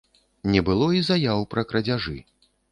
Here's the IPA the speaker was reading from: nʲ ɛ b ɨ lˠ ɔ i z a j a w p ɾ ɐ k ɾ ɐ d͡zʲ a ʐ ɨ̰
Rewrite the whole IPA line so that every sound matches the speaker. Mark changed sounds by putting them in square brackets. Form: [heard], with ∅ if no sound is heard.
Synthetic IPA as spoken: nʲ ɛ b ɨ lˠ ɔ i z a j a w p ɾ ɐ k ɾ ɐ d͡zʲ a ʐ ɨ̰